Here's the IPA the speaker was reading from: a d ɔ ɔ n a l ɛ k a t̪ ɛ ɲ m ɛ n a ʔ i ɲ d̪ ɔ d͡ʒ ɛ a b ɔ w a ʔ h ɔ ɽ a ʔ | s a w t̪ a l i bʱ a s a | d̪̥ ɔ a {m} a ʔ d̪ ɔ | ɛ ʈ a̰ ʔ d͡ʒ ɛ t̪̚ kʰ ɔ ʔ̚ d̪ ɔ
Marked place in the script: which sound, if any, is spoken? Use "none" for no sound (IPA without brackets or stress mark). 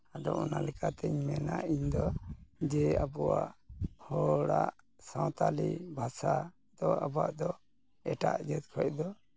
b